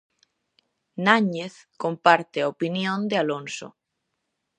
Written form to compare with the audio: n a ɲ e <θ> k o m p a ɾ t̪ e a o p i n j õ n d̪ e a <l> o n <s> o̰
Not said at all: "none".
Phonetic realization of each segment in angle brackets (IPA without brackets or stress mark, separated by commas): θ, l, s